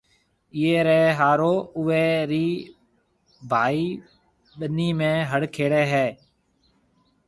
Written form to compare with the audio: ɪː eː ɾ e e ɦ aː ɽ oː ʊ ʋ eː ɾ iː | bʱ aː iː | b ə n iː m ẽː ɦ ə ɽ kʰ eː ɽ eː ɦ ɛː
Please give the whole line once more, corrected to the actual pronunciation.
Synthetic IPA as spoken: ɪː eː ɾ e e ɦ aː ɾ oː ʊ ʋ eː ɾ iː | bʱ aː iː | ɓ ə n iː m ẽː ɦ ə ɽ kʰ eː ɽ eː ɦ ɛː

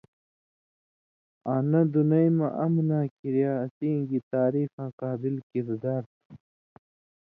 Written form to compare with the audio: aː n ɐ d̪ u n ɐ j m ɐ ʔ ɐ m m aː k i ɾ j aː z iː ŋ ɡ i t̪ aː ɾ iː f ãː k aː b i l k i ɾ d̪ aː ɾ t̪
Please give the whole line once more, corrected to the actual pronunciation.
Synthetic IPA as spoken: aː n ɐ d̪ u n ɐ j m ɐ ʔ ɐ m n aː k i ɾ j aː s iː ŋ ɡ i t̪ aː ɾ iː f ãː q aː b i l k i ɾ d̪ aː ɾ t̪

